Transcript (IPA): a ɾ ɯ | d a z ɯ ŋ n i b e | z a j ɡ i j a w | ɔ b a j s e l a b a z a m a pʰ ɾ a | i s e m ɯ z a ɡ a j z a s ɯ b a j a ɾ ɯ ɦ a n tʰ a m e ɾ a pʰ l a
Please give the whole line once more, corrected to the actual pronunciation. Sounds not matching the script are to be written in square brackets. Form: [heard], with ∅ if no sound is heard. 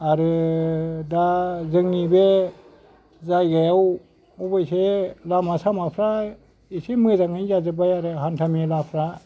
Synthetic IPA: a ɾ ɯ | d a z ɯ ŋ n i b e | z a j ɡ [a] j a w | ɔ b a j s e l a [m] a [s] a m a pʰ ɾ a | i s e m ɯ z a [ŋ] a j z a [z] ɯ b a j a ɾ ɯ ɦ a n tʰ a m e [l] a pʰ [ɾ] a